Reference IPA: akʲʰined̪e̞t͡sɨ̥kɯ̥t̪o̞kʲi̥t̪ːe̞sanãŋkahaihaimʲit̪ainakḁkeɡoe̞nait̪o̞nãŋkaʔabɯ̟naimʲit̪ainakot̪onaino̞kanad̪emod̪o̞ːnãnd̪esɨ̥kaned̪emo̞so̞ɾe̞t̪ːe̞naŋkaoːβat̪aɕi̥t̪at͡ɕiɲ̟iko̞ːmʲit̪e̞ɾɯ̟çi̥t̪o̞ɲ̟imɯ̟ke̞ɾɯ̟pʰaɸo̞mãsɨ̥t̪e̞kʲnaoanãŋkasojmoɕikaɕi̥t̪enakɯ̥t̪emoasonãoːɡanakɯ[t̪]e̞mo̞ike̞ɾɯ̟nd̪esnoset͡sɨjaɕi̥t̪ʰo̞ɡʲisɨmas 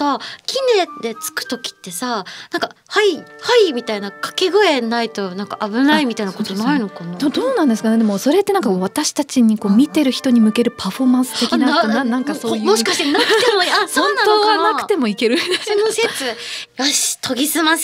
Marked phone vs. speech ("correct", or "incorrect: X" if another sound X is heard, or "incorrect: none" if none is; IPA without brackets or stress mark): correct